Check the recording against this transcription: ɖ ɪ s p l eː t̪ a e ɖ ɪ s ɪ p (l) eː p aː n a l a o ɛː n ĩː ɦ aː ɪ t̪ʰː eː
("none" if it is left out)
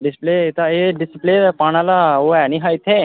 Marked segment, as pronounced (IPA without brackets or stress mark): l